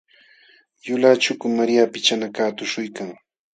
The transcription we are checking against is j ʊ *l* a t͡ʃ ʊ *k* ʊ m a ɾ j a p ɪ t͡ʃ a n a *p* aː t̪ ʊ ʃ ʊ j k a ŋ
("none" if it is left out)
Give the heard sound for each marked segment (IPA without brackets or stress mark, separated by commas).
l, k, k